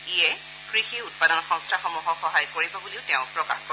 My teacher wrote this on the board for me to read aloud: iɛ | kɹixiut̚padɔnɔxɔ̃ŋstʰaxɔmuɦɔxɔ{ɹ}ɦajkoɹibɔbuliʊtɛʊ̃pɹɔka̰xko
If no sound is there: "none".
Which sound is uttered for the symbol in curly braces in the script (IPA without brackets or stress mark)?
none